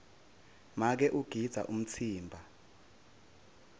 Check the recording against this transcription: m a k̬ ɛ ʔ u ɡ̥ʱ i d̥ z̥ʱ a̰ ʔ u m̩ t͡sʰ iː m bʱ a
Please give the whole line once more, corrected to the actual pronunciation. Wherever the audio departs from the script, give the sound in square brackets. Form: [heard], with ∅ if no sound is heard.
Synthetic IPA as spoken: m a k̬ ɛ ʔ u ɡ̥ʱ i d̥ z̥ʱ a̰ ʔ u m̩ t͡sʰ iː m bʱ a